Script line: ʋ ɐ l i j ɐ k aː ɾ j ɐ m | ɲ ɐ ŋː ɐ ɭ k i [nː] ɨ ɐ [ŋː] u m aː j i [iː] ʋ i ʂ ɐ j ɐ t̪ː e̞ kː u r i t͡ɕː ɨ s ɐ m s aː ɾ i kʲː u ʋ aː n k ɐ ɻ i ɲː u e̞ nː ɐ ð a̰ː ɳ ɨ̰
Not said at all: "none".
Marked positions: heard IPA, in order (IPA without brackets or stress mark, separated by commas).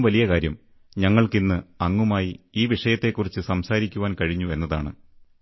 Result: nː, ŋː, iː